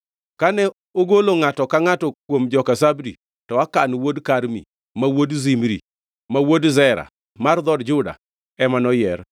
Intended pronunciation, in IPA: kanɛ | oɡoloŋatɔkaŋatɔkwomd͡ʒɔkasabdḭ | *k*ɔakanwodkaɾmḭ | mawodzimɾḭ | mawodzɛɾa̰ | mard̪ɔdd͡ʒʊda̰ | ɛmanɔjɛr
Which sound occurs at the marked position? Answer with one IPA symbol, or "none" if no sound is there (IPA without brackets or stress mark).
t